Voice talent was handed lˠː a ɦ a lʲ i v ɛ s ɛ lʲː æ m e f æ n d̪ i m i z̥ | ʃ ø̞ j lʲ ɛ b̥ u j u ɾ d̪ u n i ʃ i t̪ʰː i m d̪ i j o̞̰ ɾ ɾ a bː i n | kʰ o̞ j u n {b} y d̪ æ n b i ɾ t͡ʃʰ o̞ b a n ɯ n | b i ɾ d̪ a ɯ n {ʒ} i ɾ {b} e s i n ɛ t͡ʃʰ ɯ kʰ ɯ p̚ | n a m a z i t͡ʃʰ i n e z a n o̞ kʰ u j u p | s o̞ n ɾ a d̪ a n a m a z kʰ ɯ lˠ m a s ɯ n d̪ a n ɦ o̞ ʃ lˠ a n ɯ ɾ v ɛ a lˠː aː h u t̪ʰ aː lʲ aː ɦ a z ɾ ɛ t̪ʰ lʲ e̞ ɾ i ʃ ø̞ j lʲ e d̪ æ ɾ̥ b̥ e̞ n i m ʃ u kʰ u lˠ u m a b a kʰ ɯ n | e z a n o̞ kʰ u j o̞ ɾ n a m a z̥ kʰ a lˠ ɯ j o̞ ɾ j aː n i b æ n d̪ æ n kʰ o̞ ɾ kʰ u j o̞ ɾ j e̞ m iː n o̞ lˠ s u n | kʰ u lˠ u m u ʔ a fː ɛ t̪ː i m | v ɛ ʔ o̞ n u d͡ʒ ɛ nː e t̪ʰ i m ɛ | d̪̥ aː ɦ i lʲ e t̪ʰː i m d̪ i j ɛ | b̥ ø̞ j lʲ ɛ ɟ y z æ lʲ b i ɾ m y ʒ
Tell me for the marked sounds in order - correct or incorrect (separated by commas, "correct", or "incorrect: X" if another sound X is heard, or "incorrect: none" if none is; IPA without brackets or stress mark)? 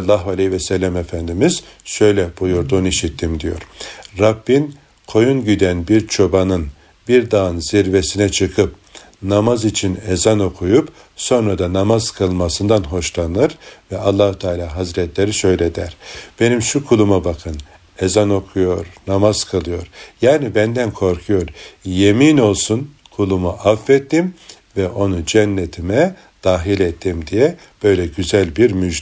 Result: incorrect: ɟ, incorrect: z, incorrect: v